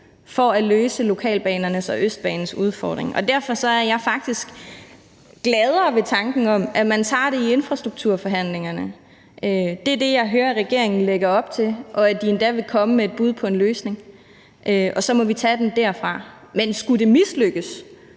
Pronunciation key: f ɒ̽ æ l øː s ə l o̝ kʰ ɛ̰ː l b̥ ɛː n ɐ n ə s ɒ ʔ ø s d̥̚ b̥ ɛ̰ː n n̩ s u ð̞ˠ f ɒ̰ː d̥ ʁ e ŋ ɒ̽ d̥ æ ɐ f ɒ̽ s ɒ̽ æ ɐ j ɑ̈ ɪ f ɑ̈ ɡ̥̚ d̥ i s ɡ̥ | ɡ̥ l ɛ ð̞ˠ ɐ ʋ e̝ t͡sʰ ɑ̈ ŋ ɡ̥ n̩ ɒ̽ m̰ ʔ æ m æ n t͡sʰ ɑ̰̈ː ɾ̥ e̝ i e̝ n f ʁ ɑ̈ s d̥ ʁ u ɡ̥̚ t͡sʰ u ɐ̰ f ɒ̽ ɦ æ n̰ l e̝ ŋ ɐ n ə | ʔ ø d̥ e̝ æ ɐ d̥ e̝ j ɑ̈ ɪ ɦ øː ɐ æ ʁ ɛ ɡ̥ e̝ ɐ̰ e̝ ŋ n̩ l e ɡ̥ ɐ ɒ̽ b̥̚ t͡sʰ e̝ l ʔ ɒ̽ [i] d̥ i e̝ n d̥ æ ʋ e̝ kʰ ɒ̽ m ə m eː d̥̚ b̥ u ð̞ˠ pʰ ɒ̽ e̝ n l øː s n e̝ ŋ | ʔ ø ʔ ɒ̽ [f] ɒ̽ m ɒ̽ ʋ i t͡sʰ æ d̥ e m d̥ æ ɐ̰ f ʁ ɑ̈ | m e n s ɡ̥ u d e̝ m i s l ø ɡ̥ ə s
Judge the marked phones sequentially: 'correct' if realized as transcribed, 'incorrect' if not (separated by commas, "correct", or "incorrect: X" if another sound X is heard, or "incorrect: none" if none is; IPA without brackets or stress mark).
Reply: incorrect: æ, incorrect: s